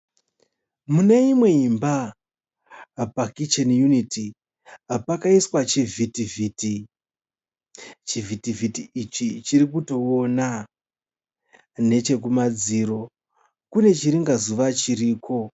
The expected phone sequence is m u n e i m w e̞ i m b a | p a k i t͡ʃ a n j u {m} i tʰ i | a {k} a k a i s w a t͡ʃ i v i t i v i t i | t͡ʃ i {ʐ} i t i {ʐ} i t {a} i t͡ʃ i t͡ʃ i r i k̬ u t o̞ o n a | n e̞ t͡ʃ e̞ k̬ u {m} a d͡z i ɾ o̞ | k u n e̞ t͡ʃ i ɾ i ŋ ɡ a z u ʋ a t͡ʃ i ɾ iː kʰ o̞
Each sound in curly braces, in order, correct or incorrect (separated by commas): incorrect, incorrect, incorrect, incorrect, incorrect, correct